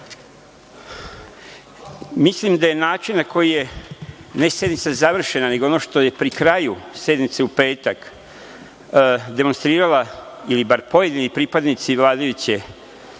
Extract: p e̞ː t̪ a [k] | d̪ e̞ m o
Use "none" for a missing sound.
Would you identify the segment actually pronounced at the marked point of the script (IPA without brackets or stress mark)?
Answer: k